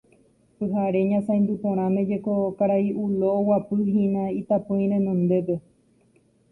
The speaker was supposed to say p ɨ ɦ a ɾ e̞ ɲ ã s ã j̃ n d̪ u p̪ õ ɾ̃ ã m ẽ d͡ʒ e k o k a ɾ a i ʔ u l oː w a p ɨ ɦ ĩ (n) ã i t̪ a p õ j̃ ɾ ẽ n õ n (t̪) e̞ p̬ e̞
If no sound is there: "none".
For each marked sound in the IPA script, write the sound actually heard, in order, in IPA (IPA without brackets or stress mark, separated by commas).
n, d̪